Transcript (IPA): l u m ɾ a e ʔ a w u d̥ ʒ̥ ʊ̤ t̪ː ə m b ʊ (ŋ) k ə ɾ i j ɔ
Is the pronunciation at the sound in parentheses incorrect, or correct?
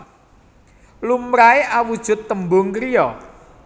correct